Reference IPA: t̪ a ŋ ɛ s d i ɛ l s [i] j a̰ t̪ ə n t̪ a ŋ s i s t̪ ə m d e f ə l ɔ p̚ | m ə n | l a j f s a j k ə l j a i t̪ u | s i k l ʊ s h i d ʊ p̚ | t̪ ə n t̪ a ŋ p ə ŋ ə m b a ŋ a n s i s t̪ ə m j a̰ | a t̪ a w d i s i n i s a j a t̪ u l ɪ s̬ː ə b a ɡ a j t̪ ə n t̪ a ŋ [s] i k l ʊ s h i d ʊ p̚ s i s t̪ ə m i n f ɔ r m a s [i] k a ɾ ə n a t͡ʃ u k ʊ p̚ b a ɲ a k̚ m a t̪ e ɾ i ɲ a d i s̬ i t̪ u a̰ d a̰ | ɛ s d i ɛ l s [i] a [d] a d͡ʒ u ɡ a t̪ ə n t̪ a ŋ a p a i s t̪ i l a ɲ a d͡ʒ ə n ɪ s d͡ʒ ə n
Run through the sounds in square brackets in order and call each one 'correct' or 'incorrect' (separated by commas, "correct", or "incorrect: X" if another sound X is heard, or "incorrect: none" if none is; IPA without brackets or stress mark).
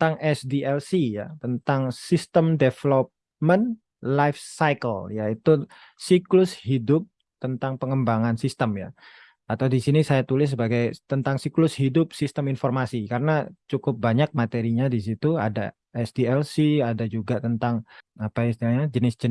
correct, correct, correct, correct, correct